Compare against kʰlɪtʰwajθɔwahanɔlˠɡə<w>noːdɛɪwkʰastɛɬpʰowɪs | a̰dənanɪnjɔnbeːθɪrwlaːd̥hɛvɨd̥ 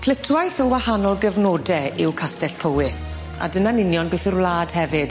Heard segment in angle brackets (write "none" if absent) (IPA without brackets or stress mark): v